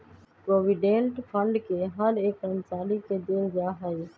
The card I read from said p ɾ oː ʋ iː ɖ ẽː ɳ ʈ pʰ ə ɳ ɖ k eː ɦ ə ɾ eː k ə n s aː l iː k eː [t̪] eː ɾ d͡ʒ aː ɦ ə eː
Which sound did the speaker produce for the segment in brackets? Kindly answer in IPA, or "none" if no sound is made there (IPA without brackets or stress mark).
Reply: d̪